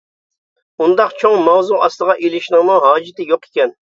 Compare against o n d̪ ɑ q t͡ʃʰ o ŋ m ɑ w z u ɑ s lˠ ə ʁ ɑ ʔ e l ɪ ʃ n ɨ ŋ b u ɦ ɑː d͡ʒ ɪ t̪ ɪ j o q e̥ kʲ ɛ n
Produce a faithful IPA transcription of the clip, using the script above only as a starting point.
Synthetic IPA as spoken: u n d̪ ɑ q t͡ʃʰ o ŋ m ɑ w z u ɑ s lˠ ə ʁ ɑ ʔ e l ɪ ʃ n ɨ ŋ m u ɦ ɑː d͡ʒ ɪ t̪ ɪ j o q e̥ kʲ ɛ n